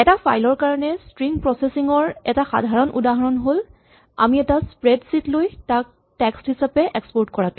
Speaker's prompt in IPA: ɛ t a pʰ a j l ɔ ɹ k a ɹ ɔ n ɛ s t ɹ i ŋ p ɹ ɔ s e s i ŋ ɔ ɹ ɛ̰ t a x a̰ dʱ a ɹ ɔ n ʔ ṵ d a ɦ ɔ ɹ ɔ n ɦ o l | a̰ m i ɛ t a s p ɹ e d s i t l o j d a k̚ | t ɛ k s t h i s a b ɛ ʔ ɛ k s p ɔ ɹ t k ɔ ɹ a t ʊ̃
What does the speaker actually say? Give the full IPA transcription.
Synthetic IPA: ɛ t a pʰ a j l ɔ ɹ k a ɹ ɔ n ɛ s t ɹ i ŋ p ɹ ɔ s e s i ŋ ɔ ɹ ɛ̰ t a x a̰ dʱ a ɹ ɔ n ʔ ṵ d a ɦ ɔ ɹ ɔ n ɦ o l | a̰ m i ɛ t a s p ɹ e d s i t l o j t a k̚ | t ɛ k s t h i s a p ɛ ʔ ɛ k s p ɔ ɹ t k ɔ ɹ a t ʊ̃